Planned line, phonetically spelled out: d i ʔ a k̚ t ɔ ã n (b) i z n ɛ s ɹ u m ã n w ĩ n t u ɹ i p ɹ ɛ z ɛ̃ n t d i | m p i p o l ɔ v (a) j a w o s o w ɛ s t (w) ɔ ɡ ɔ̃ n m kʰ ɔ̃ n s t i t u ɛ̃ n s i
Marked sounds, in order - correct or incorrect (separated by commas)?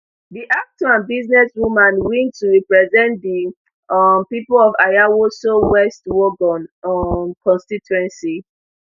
correct, correct, correct